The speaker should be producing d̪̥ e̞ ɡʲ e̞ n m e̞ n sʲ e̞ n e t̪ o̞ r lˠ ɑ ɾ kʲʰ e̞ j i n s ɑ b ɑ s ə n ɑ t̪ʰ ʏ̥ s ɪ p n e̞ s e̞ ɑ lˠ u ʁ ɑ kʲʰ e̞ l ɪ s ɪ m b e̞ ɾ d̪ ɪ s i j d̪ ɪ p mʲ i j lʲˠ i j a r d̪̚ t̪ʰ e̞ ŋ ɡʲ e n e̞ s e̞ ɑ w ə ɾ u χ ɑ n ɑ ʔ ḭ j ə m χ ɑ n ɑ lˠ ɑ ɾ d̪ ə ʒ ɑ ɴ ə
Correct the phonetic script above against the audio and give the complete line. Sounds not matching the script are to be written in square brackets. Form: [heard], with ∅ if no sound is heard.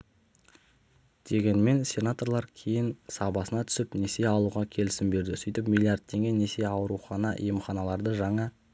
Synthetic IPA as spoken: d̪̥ e̞ ɡʲ e̞ n m e̞ n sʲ e̞ n [a] t̪ o̞ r lˠ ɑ ɾ kʲʰ e̞ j [ɪ] n s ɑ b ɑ s ə n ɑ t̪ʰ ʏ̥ s ɪ p n e̞ s e̞ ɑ lˠ u ʁ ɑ kʲʰ e̞ l ɪ s ɪ m b e̞ ɾ d̪ ɪ s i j [t̪] ɪ p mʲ i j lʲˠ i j a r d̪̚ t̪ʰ e̞ ŋ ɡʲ e n e̞ s e̞ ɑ w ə ɾ u χ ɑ n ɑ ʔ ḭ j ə m χ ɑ n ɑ lˠ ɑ ɾ d̪ ə ʒ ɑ ɴ [ɑ]